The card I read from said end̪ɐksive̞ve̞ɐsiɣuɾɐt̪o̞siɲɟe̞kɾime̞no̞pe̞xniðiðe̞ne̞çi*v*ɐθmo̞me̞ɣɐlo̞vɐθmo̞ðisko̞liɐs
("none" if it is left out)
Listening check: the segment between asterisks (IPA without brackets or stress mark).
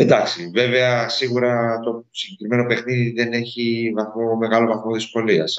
v